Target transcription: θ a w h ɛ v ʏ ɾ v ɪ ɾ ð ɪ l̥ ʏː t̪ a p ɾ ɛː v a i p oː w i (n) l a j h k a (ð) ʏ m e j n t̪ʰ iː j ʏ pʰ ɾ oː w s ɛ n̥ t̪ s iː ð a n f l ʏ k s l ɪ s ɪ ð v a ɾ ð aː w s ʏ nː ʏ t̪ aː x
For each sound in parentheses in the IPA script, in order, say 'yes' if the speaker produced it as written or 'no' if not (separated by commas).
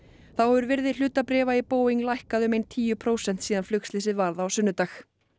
no, yes